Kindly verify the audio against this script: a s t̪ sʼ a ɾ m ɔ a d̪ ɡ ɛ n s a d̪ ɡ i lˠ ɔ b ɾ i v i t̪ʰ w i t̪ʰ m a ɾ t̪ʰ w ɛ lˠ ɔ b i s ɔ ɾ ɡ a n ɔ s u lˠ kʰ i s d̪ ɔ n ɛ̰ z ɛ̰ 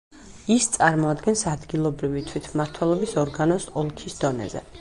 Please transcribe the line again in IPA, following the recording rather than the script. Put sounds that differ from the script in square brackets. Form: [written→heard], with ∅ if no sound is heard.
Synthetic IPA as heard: [a→i] s t̪ sʼ a ɾ m ɔ a d̪ ɡ ɛ n s a d̪ ɡ i lˠ ɔ b ɾ i v i t̪ʰ w i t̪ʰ m a ɾ t̪ʰ w ɛ lˠ ɔ b i s ɔ ɾ ɡ a n ɔ s [u→ɔ] lˠ kʰ i s d̪ ɔ n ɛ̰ z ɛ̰

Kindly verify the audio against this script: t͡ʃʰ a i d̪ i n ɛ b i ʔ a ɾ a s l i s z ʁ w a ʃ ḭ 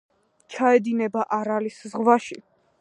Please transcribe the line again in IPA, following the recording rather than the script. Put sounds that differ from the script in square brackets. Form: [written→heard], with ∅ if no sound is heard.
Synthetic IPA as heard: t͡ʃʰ a [i→ɛ] d̪ i n ɛ b [i→a] ʔ a ɾ a [s→∅] l i s z ʁ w a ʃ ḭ

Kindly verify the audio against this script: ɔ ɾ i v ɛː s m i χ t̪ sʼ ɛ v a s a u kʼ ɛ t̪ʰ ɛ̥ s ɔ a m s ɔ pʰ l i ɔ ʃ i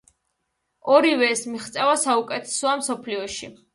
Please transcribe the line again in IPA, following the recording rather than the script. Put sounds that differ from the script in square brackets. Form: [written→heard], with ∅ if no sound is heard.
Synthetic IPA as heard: ɔ ɾ i v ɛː s m i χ t̪ sʼ ɛ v a s a u kʼ ɛ t̪ʰ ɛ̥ s ɔ a m s ɔ pʰ l i ɔ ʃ i

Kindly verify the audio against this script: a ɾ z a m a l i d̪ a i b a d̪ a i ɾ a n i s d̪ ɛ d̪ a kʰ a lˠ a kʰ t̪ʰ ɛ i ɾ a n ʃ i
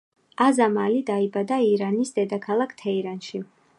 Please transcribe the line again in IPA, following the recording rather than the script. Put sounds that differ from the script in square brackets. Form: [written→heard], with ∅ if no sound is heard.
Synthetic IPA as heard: a [ɾ→∅] z a m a l i d̪ a i b a d̪ a i ɾ a n i s d̪ ɛ d̪ a kʰ a lˠ a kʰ t̪ʰ ɛ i ɾ a n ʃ i

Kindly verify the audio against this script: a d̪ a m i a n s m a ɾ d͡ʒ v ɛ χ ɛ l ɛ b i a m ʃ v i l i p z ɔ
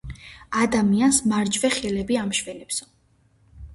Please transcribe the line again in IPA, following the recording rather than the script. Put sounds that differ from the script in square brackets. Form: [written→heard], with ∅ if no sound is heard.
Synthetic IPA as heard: a d̪ a m i a n s m a ɾ d͡ʒ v ɛ χ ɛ l ɛ b i a m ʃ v [i→ɛ] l [i→ɛ] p [z→s] ɔ

